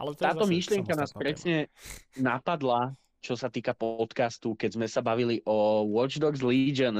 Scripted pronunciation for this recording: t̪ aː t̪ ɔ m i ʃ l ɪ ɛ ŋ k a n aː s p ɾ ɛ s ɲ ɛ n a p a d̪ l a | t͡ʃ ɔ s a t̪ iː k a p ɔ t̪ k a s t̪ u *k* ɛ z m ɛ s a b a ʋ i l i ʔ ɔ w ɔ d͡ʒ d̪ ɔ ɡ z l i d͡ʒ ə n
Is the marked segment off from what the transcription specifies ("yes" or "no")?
no